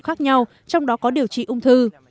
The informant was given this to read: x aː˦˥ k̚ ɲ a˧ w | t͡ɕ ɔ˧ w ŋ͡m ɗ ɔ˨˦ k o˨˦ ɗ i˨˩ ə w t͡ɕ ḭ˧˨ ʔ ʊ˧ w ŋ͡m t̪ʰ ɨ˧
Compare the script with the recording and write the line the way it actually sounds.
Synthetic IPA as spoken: x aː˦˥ k̚ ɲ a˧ w | t͡ɕ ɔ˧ w ŋ͡m ɗ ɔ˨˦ k ɔ˨˦ ɗ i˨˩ ə w t͡ɕ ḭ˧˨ ʔ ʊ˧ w ŋ͡m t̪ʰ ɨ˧